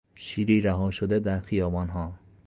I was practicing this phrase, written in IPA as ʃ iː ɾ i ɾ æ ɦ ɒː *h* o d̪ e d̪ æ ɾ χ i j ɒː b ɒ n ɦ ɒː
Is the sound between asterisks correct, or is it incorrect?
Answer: incorrect